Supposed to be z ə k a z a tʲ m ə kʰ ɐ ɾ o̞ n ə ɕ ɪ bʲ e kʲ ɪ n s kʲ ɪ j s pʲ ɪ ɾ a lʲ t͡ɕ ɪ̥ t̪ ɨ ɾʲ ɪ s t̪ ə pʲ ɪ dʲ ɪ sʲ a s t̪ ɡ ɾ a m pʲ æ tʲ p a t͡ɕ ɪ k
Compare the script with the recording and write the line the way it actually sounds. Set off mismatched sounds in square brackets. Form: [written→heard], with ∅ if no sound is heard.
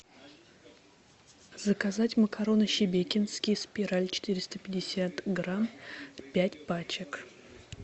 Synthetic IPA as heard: z ə k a z a tʲ m ə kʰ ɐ ɾ o̞ n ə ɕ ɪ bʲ e kʲ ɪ n s kʲ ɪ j s pʲ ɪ ɾ a lʲ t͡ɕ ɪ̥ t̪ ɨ ɾʲ ɪ s t̪ ə pʲ ɪ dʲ ɪ sʲ a [s→∅] t̪ ɡ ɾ a m pʲ æ tʲ p a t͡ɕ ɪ k